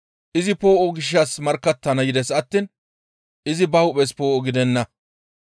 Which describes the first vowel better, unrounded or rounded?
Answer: unrounded